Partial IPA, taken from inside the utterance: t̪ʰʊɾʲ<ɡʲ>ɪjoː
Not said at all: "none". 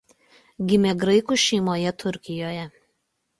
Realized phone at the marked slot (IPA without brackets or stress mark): kʲ